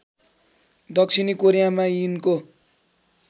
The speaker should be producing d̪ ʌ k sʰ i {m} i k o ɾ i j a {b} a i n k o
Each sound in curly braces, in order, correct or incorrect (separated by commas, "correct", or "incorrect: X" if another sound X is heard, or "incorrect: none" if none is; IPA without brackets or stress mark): incorrect: n, incorrect: m